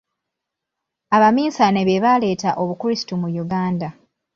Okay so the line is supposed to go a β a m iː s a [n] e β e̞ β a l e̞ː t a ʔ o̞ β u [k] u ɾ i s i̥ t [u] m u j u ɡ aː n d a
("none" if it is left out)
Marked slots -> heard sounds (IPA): n, k, u

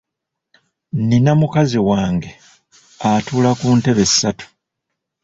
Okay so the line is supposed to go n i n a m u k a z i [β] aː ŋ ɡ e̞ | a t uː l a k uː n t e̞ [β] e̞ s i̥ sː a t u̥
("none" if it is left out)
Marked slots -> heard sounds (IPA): w, β

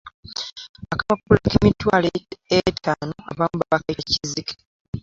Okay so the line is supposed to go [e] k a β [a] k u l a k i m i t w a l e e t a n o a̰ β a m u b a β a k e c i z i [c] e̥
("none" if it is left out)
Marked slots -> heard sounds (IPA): a, a, k

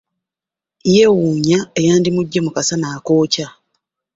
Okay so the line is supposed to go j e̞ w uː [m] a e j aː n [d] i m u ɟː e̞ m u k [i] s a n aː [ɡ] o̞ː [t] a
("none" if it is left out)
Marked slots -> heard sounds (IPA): ɲ, d, a, k, c

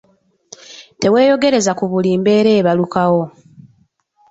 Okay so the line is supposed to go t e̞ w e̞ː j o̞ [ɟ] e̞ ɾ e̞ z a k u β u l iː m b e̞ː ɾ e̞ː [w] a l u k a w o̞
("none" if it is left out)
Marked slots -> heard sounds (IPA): ɡ, β

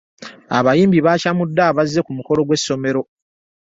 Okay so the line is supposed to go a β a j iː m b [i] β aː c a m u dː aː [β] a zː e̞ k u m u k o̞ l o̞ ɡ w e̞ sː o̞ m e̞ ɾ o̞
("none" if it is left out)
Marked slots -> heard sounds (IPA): i, β

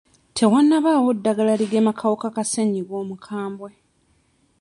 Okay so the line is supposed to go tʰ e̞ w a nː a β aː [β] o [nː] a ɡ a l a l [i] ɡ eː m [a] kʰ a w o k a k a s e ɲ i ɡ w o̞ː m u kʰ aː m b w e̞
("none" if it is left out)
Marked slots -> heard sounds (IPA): w, dː, i, a

